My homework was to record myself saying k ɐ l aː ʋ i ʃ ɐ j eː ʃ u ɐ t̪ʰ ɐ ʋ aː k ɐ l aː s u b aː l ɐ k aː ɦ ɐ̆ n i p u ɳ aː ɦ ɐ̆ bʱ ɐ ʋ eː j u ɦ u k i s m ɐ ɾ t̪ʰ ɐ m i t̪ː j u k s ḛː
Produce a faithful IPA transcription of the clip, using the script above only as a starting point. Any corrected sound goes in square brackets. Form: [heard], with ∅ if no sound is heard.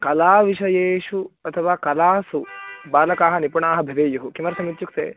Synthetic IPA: k ɐ l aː ʋ i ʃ ɐ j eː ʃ u ɐ t̪ʰ ɐ ʋ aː k ɐ l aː s u b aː l ɐ k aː ɦ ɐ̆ n i p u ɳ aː ɦ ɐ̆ bʱ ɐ ʋ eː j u ɦ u k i [∅] m ɐ ɾ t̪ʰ ɐ m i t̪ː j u k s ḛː